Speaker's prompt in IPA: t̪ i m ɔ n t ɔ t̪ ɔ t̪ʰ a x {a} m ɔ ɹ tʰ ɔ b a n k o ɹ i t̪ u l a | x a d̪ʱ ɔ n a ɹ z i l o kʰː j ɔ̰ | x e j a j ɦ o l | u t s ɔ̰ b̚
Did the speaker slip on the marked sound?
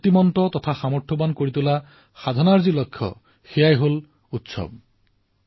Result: no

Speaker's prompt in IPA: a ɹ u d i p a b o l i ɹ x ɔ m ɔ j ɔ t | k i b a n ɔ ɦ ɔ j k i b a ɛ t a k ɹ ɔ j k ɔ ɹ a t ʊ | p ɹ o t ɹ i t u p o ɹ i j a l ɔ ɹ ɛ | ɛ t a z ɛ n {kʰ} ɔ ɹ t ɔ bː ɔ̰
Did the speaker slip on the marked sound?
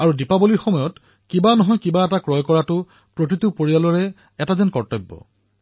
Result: yes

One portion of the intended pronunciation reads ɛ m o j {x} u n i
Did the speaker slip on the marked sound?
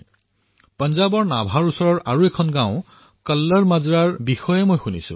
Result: no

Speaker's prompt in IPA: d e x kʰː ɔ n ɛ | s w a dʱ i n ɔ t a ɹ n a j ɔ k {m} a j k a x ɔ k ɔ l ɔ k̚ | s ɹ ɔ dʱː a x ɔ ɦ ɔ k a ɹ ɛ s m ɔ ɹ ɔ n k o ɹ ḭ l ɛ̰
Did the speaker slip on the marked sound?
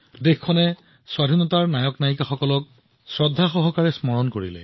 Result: yes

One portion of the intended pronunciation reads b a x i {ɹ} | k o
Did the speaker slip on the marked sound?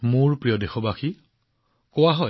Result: yes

